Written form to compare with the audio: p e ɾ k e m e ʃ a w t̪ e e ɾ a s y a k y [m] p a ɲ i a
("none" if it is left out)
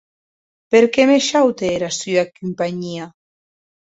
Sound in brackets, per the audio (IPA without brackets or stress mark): m